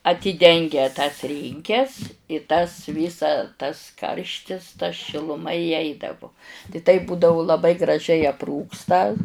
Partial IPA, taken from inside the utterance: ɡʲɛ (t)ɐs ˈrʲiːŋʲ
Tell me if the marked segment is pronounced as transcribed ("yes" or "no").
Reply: yes